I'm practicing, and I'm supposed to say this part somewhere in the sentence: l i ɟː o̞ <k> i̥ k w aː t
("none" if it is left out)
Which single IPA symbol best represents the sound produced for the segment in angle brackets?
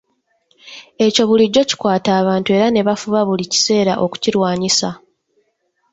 c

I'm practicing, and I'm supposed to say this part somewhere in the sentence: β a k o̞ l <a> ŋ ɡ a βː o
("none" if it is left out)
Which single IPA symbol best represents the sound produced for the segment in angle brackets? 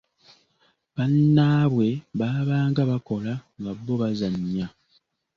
a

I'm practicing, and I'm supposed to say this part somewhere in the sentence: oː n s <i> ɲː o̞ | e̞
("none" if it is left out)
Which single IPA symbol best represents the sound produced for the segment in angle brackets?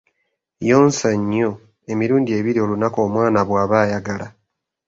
a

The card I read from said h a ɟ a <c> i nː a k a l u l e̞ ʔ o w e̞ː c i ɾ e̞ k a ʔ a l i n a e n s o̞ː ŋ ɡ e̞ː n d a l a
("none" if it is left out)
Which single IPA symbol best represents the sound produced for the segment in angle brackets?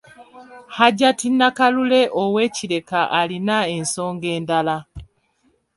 t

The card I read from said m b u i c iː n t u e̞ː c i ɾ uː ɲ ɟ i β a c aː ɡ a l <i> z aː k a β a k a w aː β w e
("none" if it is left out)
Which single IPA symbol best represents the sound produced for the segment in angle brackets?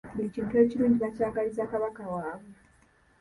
i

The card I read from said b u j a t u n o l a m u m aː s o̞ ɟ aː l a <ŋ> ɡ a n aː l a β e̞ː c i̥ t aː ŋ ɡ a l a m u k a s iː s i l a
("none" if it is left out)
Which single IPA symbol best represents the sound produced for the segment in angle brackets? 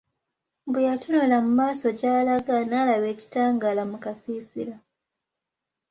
none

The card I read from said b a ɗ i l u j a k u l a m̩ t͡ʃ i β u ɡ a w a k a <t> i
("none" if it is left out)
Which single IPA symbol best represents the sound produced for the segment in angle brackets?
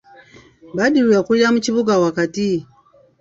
t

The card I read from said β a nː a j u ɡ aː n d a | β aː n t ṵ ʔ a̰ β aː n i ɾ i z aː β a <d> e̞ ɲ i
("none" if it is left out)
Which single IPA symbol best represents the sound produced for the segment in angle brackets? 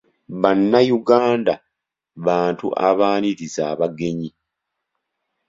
ɡ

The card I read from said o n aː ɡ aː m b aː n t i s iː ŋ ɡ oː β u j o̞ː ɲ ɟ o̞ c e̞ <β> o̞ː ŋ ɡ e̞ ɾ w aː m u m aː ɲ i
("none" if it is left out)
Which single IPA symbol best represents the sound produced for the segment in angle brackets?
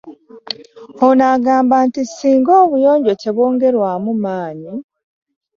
β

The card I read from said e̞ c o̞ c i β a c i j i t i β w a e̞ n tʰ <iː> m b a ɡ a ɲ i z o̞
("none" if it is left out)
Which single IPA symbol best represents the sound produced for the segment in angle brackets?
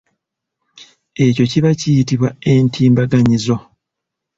iː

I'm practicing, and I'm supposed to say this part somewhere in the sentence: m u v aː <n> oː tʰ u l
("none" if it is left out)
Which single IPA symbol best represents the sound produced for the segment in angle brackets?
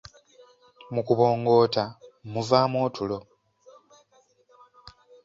m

